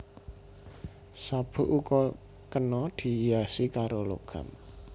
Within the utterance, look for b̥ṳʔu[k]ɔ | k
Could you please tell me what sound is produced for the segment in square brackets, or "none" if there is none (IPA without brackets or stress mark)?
k